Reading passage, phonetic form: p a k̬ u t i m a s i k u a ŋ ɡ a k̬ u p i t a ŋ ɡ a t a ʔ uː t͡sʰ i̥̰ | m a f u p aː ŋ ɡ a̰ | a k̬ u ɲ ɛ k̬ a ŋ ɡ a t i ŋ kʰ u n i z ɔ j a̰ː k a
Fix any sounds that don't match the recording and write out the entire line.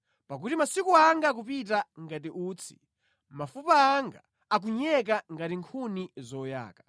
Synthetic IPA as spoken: p a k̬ u t i m a s i k u a ŋ ɡ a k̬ u p i t a ŋ ɡ a t i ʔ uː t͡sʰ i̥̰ | m a f u p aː ŋ ɡ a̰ | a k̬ u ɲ ɛ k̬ a ŋ ɡ a t i ŋ kʰ u n i z ɔ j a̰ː k a